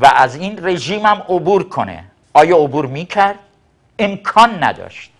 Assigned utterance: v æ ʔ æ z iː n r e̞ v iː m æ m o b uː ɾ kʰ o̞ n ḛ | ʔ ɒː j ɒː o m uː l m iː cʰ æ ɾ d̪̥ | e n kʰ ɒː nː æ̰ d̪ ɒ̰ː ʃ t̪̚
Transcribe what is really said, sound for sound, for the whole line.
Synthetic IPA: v æ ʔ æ z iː n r e̞ ʒ iː m æ m o b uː ɾ kʰ o̞ n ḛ | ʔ ɒː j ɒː o b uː ɾ m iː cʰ æ ɾ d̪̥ | e m kʰ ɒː nː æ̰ d̪ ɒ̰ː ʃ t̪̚